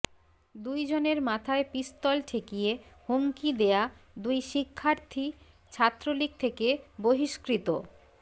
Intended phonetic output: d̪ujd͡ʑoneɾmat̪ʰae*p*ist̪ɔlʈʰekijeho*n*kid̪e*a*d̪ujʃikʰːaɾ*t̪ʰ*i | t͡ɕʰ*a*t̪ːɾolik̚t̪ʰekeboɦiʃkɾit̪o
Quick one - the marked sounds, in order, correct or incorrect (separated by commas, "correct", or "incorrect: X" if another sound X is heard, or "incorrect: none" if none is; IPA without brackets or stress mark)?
correct, incorrect: ŋ, correct, correct, correct